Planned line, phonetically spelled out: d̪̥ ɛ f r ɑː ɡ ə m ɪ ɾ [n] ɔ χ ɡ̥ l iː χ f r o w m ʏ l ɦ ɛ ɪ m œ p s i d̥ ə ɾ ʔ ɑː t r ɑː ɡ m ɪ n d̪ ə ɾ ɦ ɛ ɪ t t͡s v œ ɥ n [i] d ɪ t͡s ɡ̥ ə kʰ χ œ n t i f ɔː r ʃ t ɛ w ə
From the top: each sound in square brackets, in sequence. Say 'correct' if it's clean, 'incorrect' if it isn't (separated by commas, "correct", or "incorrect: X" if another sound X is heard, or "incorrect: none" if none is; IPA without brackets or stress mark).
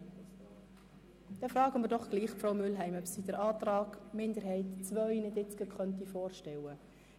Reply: incorrect: d, incorrect: ɪ